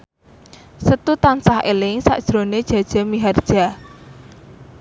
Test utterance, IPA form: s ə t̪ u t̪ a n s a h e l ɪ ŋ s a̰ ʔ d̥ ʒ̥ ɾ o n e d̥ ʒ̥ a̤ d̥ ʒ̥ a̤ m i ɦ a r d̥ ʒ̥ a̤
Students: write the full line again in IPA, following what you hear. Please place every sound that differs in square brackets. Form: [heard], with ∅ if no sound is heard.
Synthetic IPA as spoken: s ə t̪ u t̪ a n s a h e l ɪ ŋ s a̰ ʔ d̥ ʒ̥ ɾ o n e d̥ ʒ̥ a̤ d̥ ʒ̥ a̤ m i ɦ a r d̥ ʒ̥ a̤

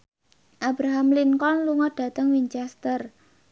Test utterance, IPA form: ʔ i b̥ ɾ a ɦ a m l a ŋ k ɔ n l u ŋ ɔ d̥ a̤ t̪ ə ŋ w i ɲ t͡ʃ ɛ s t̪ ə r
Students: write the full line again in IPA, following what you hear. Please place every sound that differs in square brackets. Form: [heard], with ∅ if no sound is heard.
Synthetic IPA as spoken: ʔ [a] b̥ ɾ a ɦ a m l [i] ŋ k ɔ n l u ŋ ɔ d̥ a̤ t̪ ə ŋ w i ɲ t͡ʃ ɛ s t̪ ə r

